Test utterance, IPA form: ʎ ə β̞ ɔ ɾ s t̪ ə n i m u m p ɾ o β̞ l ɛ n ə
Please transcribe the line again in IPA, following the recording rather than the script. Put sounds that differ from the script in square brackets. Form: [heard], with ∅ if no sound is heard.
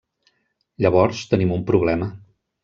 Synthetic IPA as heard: ʎ ə β̞ ɔ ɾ s t̪ ə n i m u m p ɾ [u] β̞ l ɛ [m] ə